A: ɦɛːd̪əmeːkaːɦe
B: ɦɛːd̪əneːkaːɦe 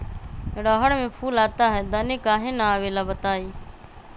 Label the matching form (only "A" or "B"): B